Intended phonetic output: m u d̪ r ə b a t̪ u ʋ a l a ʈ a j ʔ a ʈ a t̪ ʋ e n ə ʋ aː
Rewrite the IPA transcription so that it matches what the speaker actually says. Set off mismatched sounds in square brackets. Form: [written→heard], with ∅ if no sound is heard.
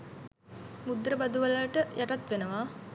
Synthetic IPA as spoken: m u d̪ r ə b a [t̪→d̪] u ʋ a l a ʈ [a→ə] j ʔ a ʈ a t̪ ʋ e n ə ʋ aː